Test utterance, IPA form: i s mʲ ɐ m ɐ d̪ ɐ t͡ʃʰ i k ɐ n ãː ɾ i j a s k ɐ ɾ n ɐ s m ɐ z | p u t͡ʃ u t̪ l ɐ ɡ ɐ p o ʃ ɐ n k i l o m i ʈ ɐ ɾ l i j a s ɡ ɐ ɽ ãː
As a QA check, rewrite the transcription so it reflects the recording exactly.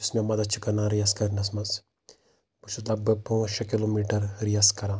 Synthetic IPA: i s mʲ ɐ m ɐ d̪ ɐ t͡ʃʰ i k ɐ n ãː ɾ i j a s k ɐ ɾ n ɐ s m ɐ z | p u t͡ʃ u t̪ l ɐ b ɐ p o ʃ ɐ k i l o m i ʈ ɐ ɾ ɾ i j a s k ɐ ɾ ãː